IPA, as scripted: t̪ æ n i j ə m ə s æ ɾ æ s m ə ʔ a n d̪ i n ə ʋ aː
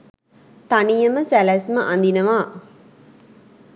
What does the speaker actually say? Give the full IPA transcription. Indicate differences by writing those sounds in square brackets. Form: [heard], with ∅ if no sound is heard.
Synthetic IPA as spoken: t̪ [a] n i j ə m ə s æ [l] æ s m ə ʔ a n d̪ i n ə ʋ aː